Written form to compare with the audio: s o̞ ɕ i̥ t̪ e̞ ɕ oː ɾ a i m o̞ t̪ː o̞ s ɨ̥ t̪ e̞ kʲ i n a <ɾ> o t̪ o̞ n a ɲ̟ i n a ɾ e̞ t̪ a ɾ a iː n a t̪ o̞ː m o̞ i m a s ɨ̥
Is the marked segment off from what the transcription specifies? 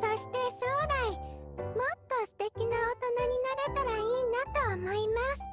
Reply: yes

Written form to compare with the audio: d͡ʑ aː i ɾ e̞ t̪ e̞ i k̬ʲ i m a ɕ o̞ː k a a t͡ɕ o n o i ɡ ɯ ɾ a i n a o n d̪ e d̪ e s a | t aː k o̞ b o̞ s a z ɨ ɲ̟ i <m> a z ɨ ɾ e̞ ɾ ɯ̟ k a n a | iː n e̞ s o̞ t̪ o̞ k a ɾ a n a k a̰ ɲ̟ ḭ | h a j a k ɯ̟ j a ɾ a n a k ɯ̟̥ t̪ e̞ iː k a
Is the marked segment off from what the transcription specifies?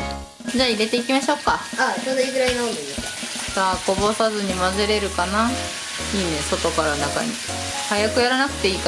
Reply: no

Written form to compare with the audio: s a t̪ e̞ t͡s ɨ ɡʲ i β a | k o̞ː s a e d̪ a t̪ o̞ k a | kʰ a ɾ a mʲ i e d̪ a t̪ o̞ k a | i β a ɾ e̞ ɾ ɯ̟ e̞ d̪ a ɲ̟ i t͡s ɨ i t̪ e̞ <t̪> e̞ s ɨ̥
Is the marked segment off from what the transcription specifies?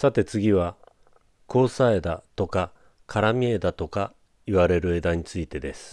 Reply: yes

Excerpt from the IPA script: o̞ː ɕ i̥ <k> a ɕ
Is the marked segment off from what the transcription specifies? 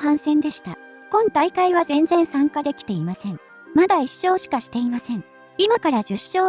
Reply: no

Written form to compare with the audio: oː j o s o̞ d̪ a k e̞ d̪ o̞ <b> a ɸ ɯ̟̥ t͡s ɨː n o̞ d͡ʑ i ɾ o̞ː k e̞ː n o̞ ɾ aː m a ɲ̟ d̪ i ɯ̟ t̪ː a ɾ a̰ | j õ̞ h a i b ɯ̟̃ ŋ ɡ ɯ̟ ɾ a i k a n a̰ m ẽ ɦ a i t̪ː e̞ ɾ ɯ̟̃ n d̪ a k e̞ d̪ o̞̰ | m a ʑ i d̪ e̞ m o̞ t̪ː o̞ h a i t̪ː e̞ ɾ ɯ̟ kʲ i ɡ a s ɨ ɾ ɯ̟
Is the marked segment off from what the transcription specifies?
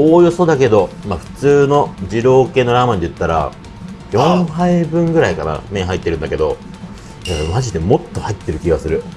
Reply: yes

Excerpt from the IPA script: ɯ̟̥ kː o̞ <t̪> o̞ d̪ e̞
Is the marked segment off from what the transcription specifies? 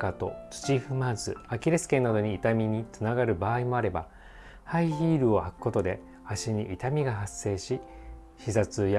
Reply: no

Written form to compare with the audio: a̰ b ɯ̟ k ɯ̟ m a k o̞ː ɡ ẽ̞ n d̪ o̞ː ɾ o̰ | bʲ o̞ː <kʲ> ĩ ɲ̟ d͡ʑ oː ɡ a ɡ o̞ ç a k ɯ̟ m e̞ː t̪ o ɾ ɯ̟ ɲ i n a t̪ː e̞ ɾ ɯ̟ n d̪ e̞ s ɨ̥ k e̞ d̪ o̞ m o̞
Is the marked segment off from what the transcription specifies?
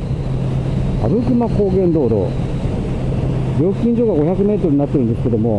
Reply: no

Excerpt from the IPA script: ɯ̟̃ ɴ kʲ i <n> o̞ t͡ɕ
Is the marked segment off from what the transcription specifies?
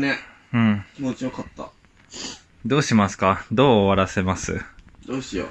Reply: yes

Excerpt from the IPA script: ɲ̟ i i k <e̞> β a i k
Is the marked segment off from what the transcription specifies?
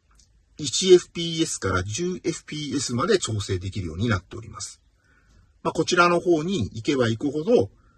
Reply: no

